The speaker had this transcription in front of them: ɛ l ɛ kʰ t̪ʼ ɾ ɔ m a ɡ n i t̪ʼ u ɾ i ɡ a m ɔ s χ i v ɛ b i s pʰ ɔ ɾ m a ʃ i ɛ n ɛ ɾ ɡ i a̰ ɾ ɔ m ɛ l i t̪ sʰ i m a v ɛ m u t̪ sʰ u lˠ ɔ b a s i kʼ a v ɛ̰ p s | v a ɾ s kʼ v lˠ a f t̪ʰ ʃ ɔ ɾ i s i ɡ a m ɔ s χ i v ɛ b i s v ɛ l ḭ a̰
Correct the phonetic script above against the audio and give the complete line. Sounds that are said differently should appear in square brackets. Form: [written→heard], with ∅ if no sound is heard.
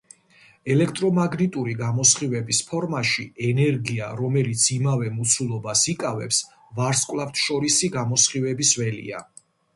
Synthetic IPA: ɛ l ɛ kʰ t̪ʼ ɾ ɔ m a ɡ n i t̪ʼ u ɾ i ɡ a m ɔ s χ i v ɛ b i s pʰ ɔ ɾ m a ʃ i ɛ n ɛ ɾ ɡ i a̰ ɾ ɔ m ɛ l i t̪ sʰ i m a v ɛ m u t̪ sʰ u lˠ ɔ b a s i kʼ a v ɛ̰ p s | v a ɾ s kʼ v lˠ a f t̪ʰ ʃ ɔ ɾ i s i ɡ a m ɔ s χ i v ɛ b i s v ɛ l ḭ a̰